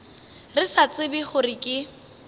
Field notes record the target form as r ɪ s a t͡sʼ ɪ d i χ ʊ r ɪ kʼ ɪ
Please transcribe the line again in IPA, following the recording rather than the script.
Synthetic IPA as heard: r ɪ s a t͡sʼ ɪ b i χ ʊ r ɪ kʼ ɪ